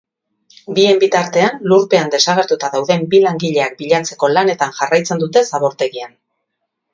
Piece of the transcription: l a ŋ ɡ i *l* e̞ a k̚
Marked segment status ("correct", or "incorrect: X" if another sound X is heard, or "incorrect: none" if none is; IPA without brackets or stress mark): incorrect: ʎ